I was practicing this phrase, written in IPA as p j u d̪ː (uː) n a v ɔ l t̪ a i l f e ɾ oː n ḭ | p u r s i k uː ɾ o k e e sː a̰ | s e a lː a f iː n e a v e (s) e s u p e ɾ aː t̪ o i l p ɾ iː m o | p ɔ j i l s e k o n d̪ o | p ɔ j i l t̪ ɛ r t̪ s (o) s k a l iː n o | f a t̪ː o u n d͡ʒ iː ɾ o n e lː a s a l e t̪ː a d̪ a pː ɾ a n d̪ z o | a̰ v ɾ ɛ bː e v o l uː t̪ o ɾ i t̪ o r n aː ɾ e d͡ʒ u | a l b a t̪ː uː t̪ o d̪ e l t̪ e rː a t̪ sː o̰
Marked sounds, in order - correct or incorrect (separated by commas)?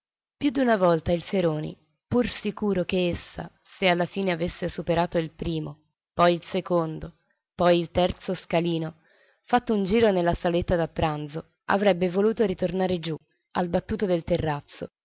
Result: incorrect, incorrect, correct